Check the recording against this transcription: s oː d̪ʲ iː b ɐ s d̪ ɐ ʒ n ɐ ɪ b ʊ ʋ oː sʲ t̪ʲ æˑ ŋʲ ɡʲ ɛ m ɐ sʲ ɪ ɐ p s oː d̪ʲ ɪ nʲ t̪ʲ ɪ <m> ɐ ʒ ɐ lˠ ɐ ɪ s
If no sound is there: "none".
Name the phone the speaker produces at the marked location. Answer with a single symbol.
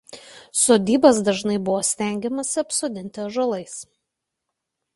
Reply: none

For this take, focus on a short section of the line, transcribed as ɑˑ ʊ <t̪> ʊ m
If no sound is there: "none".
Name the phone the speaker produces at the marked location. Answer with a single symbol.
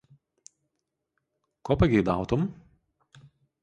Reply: t̪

